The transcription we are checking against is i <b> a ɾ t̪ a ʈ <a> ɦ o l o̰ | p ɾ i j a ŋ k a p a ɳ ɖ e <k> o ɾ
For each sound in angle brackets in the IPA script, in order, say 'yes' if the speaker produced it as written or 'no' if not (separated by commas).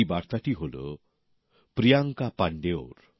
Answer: yes, no, no